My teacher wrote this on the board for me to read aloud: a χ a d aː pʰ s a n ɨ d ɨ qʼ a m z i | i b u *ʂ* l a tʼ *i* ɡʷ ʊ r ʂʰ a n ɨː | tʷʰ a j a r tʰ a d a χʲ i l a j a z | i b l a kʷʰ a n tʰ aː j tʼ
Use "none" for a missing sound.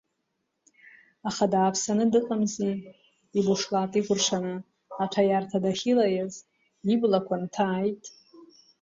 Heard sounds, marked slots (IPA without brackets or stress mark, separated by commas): ʂ, i